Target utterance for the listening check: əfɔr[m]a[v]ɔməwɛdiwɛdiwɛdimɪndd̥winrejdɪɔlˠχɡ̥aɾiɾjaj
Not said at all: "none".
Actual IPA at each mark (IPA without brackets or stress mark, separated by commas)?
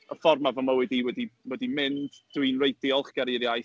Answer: m, v